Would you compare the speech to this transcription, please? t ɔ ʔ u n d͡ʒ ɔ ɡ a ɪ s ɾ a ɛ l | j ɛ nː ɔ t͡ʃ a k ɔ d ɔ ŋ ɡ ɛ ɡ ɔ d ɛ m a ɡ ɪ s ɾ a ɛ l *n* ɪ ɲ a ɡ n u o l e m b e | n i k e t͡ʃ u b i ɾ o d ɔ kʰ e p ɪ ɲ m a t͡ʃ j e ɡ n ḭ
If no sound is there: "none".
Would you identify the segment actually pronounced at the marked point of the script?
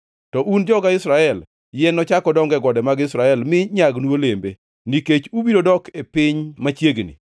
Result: m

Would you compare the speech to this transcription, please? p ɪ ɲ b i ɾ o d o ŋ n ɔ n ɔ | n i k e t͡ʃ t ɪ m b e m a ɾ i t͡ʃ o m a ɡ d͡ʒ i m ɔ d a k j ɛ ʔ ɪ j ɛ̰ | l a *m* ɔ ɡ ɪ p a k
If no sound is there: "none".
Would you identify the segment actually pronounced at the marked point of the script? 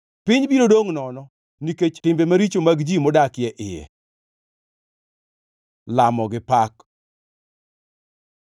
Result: m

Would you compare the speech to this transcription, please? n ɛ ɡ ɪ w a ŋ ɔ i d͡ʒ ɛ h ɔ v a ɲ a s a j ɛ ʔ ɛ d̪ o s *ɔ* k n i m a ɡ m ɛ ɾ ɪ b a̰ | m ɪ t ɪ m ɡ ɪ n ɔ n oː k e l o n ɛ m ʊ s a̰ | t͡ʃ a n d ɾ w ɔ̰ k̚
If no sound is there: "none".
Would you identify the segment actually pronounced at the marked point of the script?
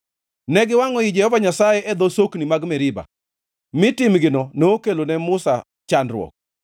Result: o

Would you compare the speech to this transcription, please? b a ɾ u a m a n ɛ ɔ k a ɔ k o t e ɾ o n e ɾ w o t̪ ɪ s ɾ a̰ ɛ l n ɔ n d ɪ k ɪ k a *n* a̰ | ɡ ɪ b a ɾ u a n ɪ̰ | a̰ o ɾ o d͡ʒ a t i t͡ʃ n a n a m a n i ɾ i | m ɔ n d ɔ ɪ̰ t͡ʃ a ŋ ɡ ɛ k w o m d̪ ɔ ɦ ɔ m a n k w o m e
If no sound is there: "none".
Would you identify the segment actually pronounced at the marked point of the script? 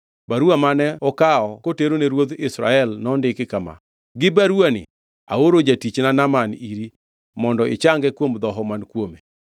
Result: m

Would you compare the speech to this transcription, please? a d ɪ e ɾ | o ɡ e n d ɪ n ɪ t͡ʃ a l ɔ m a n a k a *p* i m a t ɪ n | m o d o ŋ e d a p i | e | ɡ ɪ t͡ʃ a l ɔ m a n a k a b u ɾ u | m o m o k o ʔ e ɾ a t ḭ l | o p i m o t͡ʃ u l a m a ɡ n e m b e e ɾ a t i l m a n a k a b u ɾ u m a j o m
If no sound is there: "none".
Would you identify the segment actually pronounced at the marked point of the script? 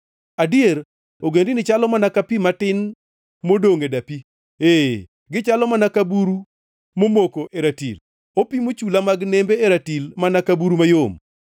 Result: p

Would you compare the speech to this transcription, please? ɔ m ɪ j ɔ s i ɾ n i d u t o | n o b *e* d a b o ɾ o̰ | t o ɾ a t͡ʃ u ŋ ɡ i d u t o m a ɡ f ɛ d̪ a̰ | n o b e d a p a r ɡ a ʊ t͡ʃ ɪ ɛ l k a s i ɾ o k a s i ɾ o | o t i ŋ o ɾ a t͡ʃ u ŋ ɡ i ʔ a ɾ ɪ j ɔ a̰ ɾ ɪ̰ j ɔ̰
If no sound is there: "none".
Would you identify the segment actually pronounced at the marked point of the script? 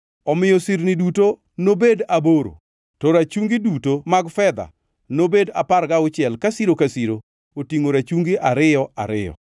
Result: e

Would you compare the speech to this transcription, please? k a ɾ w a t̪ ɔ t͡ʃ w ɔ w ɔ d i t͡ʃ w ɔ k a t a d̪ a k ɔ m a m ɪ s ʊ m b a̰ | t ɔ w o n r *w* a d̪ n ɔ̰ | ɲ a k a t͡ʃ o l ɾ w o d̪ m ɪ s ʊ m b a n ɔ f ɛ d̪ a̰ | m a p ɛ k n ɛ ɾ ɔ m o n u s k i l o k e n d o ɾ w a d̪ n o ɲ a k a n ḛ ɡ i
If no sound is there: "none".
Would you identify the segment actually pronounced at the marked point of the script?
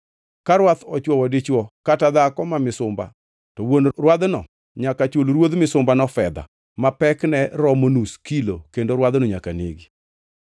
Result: w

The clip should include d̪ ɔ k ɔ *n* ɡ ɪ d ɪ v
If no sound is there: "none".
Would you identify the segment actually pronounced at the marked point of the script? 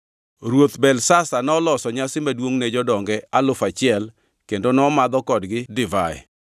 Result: d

